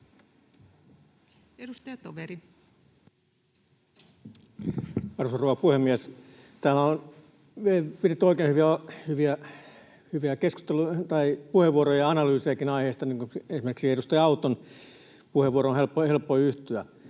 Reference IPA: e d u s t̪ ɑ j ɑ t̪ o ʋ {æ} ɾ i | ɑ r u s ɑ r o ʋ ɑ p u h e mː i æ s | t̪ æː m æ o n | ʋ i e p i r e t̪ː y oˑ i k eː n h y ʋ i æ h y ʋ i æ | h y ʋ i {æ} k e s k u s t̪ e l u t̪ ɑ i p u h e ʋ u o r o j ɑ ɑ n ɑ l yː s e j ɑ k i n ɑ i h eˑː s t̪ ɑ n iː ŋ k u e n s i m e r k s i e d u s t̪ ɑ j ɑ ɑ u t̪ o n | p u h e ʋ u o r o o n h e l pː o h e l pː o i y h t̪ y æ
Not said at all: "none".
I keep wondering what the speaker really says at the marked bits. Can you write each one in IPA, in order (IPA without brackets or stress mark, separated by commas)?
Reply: e, æ